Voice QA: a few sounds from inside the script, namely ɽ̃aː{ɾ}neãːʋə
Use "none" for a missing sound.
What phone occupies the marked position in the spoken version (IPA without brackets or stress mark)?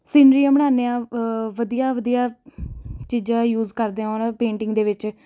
none